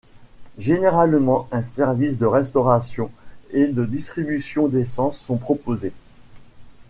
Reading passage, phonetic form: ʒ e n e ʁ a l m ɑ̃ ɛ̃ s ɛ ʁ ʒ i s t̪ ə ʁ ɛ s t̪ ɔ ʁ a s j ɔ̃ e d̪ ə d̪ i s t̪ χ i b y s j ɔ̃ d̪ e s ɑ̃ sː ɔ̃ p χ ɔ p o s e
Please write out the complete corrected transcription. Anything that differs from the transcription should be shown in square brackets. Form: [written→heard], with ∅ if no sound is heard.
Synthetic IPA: ʒ e n e ʁ a l m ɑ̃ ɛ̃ s ɛ ʁ [ʒ→v] i s [t̪→d̪] ə ʁ ɛ s t̪ ɔ ʁ a s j ɔ̃ e d̪ ə d̪ i s t̪ χ i b y s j ɔ̃ d̪ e s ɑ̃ sː ɔ̃ p χ ɔ p o [s→z] e